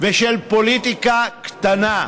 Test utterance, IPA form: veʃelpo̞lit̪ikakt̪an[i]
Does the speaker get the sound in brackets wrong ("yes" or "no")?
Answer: yes